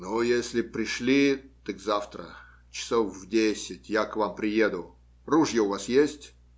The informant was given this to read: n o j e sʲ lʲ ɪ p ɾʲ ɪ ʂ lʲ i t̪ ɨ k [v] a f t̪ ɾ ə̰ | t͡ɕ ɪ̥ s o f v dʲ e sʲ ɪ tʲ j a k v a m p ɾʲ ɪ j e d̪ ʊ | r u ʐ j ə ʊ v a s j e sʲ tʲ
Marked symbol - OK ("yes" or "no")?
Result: no